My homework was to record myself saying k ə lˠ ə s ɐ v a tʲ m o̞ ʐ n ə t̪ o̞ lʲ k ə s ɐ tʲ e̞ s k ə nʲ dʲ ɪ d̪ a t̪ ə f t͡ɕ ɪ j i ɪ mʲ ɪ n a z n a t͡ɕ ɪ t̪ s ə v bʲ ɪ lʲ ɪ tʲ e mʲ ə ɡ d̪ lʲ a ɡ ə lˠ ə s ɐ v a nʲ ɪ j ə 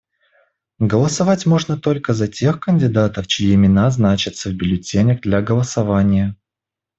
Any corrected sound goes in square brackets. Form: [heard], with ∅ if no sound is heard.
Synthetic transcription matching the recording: [ɡ] ə lˠ ə s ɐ v a tʲ m o̞ ʐ n ə t̪ o̞ lʲ k ə [z] ɐ tʲ e̞ [x] k ə nʲ dʲ ɪ d̪ a t̪ ə f t͡ɕ ɪ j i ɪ mʲ ɪ n a z n a t͡ɕ ɪ t̪ s ə v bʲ ɪ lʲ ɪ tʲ e [nʲ] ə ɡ d̪ lʲ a ɡ ə lˠ ə s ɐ v a nʲ ɪ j ə